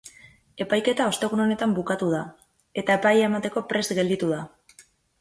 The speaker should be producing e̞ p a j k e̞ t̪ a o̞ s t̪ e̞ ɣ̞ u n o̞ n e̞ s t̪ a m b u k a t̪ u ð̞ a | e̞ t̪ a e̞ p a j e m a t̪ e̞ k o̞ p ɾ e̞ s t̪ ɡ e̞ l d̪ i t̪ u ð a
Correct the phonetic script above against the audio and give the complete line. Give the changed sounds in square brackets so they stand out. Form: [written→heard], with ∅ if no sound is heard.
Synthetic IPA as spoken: e̞ p a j k e̞ t̪ a o̞ s t̪ e̞ ɣ̞ u n o̞ n e̞ [s→∅] t̪ a m b u k a t̪ u ð̞ a | e̞ t̪ a e̞ p a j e m a t̪ e̞ k o̞ p ɾ e̞ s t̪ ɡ e̞ l d̪ i t̪ u ð a